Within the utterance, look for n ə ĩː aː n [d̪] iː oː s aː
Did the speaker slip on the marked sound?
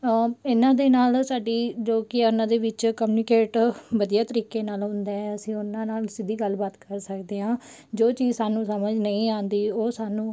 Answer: no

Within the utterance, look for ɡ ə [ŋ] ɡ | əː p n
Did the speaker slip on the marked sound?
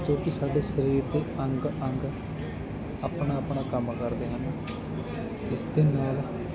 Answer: no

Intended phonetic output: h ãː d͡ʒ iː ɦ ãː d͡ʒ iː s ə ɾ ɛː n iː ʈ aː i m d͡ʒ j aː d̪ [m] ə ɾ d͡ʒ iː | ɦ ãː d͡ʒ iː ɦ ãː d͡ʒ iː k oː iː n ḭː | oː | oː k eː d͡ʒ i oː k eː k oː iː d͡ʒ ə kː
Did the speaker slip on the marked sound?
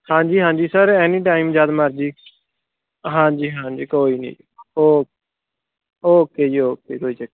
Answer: no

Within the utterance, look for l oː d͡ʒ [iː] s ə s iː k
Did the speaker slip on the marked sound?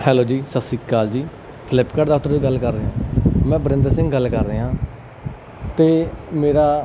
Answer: no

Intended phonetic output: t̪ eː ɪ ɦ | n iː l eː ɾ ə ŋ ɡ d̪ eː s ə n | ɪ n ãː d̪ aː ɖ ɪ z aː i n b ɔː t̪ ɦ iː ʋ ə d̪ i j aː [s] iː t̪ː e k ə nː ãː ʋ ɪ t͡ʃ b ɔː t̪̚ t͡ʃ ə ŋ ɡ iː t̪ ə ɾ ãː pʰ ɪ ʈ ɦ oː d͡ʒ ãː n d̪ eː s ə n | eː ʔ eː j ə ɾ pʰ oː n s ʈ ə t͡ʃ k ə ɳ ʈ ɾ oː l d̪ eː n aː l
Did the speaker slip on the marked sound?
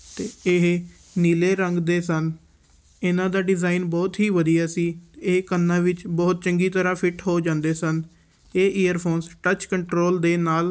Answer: no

